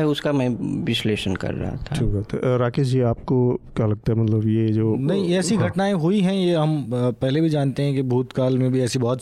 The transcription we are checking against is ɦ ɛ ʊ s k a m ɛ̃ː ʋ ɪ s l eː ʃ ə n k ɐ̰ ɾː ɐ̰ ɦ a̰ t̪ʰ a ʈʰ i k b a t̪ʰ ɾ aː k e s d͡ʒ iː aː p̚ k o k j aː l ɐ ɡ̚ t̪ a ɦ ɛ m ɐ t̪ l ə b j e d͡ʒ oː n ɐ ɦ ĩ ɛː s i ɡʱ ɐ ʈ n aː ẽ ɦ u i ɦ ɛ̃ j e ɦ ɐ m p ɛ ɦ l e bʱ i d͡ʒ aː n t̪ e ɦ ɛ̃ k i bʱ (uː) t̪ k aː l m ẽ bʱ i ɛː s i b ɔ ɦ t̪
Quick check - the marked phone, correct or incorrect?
correct